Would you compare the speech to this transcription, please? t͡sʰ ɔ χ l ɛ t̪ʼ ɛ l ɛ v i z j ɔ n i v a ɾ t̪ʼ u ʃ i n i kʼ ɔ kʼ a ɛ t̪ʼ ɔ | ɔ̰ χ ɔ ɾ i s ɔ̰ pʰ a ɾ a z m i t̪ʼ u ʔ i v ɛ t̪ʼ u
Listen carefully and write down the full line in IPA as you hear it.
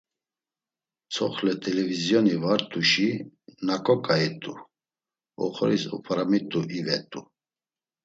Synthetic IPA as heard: t͡sʰ ɔ χ l ɛ t̪ʼ ɛ l ɛ v i z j ɔ n i v a ɾ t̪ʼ u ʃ i n a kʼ ɔ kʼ a ɛ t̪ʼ u | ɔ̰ χ ɔ ɾ i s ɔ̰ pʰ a ɾ a m i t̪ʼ u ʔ i v ɛ t̪ʼ u

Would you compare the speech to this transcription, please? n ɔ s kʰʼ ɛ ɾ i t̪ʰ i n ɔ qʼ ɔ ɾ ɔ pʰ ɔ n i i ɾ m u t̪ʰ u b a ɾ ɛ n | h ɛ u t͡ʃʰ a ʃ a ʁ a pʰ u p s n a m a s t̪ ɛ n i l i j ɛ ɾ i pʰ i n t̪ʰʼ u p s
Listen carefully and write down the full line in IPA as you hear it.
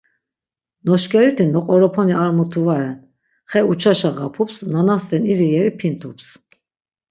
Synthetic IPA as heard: n ɔ ʃ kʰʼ ɛ ɾ i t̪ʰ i n ɔ qʼ ɔ ɾ ɔ pʰ ɔ n i a ɾ m u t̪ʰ u v a ɾ ɛ n | χ ɛ u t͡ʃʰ a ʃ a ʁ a pʰ u p s n a n a s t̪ ɛ n i ɾ i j ɛ ɾ i pʰ i n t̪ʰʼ u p s

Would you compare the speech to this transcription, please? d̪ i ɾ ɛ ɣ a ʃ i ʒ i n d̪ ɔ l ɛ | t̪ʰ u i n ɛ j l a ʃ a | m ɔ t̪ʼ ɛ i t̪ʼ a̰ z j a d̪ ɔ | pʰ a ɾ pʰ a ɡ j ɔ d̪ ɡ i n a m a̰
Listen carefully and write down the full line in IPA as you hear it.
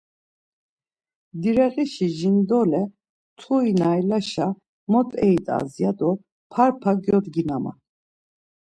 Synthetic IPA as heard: d̪ i ɾ ɛ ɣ i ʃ i ʒ i n d̪ ɔ l ɛ | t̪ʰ u i n a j l a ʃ a | m ɔ t̪ʼ ɛ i t̪ʼ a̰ z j a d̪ ɔ | pʰ a ɾ pʰ a ɡ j ɔ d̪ ɡ i n a m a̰

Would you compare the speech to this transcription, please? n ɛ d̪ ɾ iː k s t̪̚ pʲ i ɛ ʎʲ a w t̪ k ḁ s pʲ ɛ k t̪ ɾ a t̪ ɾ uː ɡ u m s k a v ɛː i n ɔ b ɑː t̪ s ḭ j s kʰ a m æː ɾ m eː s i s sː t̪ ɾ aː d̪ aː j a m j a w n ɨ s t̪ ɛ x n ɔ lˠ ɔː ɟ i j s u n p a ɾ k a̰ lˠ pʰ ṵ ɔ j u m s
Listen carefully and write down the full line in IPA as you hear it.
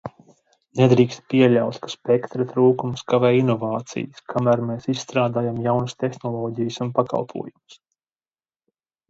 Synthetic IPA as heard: n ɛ d̪ ɾ iː k s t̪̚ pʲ i ɛ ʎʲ a w t̪ k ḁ s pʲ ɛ k t̪ ɾ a t̪ ɾ uː k u m s k a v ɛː i n ɔ v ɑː t̪ s ḭ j s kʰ a m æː ɾ m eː s i s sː t̪ ɾ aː d̪ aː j a m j a w n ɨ s t̪ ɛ x n ɔ lˠ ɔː ɟ i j s u n p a k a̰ lˠ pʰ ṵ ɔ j u m s

